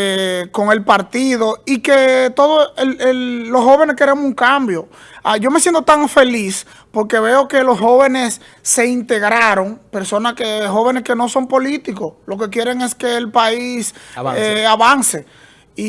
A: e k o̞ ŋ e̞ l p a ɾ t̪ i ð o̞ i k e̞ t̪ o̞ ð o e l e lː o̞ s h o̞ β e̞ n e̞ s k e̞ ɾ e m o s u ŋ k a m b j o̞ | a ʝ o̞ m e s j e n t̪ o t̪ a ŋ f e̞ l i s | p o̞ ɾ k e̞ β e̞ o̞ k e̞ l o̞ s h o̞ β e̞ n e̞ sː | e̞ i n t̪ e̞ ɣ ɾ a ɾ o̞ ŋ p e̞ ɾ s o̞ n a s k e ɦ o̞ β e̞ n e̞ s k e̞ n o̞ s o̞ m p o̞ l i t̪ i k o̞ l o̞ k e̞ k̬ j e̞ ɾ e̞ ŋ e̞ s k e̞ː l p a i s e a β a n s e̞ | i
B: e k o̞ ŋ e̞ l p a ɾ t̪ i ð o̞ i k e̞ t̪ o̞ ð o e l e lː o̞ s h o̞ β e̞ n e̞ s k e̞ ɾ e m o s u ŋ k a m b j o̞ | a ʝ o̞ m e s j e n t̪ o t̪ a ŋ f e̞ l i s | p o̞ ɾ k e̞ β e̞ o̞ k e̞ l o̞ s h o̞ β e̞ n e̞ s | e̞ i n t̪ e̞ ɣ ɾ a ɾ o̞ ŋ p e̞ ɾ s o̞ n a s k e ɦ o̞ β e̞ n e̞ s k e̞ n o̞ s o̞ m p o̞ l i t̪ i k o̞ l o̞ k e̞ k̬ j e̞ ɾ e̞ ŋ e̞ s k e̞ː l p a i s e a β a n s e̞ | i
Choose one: A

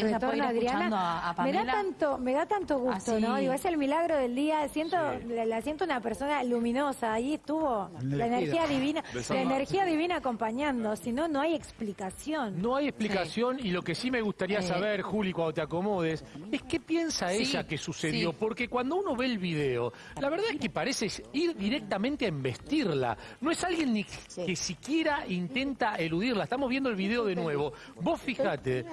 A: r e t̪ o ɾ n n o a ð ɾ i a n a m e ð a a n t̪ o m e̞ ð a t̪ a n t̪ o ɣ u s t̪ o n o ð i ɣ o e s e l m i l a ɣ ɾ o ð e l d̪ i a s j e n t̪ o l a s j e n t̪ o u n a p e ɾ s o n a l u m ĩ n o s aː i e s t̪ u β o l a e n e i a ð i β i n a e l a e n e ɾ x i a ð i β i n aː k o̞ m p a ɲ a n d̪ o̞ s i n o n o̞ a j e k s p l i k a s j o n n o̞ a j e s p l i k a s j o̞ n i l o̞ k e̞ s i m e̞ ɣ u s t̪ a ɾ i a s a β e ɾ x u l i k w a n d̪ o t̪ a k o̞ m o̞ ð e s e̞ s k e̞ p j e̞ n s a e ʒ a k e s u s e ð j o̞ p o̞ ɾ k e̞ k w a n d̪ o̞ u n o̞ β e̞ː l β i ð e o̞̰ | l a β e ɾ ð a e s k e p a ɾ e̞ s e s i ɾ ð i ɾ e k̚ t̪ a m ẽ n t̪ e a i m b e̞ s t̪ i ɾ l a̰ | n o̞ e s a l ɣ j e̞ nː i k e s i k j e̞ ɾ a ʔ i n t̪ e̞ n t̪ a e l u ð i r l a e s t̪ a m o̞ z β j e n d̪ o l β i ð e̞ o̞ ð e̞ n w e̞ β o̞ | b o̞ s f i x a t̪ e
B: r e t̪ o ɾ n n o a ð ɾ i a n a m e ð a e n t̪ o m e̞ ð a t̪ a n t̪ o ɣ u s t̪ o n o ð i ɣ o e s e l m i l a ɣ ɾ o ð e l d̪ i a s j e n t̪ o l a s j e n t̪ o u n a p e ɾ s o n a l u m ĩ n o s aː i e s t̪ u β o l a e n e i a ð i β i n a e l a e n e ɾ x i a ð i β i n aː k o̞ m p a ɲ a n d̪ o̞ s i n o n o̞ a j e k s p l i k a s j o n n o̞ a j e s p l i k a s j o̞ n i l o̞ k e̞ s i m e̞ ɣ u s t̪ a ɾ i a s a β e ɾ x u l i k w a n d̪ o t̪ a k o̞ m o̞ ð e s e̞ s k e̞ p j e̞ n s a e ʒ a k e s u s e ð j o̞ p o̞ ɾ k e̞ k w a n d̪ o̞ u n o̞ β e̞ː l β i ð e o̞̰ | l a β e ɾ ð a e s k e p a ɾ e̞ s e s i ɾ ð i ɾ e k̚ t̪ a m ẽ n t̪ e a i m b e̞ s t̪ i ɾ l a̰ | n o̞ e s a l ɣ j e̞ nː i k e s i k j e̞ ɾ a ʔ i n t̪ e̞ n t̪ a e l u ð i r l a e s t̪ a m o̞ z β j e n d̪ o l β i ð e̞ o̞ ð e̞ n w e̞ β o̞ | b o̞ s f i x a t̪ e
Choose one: A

